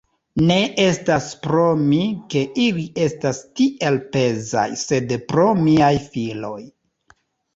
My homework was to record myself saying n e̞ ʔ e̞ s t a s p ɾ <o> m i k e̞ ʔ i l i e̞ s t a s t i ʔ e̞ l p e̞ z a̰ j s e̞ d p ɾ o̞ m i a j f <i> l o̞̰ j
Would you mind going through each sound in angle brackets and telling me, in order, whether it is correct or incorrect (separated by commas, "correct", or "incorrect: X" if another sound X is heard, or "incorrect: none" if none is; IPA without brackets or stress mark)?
correct, correct